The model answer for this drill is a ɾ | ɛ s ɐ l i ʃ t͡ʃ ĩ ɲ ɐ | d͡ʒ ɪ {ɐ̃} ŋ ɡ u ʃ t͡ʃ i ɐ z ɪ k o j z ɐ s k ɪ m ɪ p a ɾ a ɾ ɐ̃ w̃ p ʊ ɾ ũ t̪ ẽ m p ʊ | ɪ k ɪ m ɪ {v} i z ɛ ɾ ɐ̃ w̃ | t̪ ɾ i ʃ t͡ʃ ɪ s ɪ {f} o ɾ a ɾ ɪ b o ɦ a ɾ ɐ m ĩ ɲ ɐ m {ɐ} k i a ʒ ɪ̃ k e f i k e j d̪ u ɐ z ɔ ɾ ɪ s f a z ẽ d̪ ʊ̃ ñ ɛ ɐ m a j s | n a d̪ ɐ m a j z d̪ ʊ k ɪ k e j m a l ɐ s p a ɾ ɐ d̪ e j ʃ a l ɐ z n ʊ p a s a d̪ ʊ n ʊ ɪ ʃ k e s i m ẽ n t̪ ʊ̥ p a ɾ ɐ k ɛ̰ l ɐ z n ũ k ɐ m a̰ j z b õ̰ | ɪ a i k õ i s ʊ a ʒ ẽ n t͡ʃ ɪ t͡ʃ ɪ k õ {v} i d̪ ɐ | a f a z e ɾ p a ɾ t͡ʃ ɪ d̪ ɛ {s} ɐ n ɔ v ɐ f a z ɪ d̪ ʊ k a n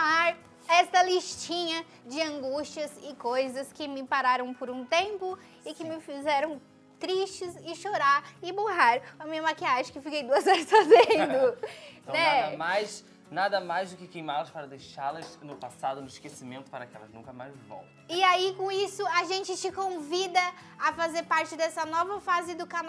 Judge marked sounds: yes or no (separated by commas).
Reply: yes, no, no, no, yes, yes